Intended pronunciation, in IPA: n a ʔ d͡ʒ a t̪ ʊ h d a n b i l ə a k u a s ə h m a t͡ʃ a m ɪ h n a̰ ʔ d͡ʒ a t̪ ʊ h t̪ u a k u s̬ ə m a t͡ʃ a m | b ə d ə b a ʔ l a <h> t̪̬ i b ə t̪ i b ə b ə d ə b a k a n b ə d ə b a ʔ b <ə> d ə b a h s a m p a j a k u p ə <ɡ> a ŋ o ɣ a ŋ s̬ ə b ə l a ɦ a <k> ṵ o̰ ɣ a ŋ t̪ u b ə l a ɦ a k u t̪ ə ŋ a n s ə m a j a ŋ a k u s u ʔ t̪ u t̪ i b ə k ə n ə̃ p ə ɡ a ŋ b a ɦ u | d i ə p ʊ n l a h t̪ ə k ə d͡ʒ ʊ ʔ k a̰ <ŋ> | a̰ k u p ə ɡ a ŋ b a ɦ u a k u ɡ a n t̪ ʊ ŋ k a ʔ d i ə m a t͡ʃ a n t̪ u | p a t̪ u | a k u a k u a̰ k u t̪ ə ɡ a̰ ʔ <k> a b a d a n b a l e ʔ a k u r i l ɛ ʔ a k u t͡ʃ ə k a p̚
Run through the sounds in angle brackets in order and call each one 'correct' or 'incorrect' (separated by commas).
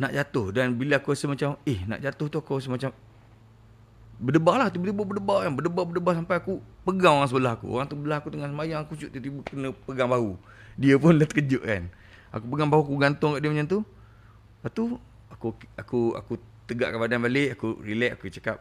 correct, correct, correct, correct, incorrect, correct